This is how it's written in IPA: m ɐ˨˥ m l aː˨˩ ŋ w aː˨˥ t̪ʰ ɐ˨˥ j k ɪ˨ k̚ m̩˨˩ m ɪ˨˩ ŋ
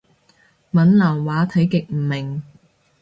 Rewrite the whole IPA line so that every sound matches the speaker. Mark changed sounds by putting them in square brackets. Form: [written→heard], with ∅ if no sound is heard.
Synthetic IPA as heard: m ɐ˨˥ [m→n] l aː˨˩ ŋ w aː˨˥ t̪ʰ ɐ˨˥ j k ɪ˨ k̚ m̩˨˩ m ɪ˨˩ ŋ